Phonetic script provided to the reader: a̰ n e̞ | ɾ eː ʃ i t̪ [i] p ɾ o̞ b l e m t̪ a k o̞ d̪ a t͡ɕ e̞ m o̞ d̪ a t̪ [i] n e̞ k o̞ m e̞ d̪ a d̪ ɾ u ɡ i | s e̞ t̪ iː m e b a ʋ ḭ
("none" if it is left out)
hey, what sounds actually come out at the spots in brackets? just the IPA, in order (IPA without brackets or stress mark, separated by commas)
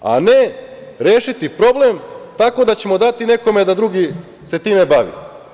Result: i, i